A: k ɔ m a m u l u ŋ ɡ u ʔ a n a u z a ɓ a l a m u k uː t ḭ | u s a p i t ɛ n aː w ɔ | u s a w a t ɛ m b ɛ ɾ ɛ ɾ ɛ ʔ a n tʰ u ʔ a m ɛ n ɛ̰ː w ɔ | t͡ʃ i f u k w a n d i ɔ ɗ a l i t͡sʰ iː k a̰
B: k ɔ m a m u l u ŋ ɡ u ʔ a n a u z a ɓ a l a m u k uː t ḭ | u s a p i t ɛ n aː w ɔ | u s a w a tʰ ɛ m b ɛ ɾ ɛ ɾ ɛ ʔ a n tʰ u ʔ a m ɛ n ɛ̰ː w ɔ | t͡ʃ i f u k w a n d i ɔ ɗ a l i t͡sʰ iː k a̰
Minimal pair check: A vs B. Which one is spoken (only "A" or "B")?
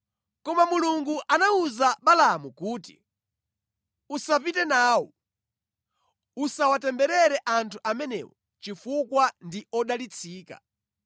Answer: A